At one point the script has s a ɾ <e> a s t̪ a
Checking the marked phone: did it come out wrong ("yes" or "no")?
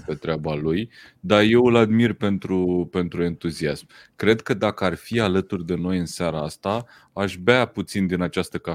yes